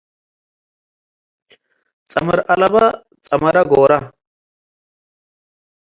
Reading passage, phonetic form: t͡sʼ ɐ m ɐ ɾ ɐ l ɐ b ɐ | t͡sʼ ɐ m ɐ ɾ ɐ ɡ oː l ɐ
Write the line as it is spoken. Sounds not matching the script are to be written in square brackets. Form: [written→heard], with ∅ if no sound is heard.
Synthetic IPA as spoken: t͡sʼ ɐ m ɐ ɾ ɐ l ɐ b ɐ | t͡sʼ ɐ m ɐ ɾ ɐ ɡ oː [l→ɾ] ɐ